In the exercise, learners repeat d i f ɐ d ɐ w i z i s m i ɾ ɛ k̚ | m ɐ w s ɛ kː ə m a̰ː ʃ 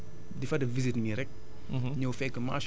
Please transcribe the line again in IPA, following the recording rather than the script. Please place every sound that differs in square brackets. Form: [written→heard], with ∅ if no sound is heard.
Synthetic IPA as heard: d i f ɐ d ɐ [w→v] i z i [s→t] m i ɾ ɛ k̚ | [m→ɲ] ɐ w [s→f] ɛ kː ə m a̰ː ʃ